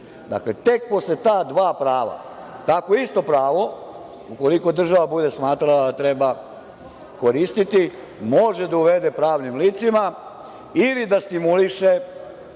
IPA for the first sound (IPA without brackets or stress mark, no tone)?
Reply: d̪